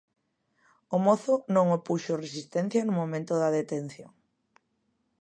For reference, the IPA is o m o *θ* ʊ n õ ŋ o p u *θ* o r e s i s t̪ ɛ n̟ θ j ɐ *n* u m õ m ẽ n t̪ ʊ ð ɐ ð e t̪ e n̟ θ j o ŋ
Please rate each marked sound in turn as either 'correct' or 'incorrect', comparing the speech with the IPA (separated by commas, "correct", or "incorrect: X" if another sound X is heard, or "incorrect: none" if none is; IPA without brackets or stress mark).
correct, incorrect: ʃ, correct